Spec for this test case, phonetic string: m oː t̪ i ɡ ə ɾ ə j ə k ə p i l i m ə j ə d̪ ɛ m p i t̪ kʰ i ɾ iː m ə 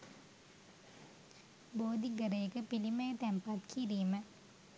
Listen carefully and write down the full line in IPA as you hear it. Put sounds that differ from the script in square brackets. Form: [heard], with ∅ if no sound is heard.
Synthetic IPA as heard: [b] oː [d̪] i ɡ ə ɾ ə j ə k ə p i l i m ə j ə [t̪] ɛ m p [a] t̪ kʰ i ɾ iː m ə